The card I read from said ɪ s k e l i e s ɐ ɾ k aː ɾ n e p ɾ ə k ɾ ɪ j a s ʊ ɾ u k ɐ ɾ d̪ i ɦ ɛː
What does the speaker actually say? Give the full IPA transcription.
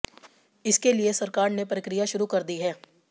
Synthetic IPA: ɪ s k e l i e s ɐ ɾ k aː ɾ n e p ɾ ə k ɾ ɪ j a ʃ ʊ ɾ u k ɐ ɾ d̪ i ɦ ɛː